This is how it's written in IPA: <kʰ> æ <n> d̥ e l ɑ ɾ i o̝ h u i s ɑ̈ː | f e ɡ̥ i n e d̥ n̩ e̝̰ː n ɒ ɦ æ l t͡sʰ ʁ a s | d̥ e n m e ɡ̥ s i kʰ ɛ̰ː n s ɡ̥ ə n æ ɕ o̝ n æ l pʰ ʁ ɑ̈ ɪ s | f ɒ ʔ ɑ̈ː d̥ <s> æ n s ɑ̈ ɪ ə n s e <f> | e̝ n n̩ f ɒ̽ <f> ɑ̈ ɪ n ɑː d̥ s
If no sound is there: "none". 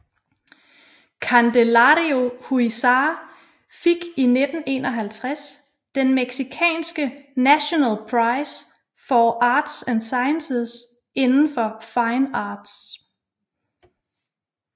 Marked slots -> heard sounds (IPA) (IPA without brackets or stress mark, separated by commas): kʰ, n, s, s, f